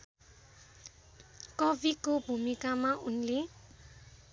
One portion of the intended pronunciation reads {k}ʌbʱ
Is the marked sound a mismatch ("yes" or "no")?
no